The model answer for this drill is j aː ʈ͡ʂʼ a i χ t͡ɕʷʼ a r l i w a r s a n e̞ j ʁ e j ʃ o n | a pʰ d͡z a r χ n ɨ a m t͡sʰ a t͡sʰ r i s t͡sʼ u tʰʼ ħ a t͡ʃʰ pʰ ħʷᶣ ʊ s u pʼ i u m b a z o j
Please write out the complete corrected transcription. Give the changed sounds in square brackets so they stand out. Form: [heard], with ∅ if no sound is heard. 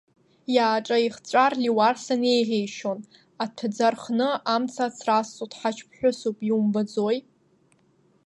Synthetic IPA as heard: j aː ʈ͡ʂʼ a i χ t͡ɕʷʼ a r l i w a r s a n e̞ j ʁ e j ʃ o n | a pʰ d͡z a r χ n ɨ a m t͡sʰ a t͡sʰ r [a] s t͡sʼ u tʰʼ ħ a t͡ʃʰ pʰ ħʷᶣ ʊ s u pʼ i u m b a [d͡z] o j